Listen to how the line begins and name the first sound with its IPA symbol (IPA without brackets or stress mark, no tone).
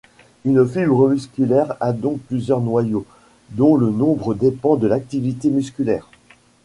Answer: y